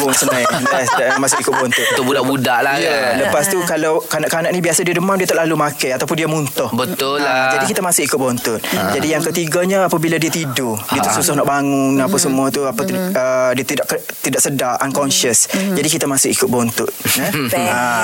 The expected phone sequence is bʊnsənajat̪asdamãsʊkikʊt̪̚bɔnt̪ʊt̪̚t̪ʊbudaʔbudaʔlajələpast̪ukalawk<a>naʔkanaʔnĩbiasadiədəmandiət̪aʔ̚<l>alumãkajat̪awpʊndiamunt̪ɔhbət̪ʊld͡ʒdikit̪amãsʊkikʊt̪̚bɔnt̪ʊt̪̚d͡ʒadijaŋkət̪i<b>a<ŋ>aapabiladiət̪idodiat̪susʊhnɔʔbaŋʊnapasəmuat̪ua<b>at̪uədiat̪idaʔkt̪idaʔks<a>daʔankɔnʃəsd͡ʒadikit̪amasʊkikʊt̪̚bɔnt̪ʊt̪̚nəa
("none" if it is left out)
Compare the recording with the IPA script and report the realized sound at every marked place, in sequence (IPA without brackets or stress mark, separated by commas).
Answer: a, l, ɡ, ɲ, p, ə